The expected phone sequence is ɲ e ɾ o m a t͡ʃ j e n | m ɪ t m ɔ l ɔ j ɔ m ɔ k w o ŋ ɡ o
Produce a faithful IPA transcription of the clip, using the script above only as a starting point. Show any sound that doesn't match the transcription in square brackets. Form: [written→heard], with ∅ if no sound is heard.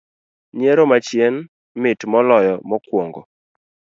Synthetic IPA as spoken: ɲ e ɾ o m a t͡ʃ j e n | m ɪ t m ɔ l ɔ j ɔ m ɔ k w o ŋ ɡ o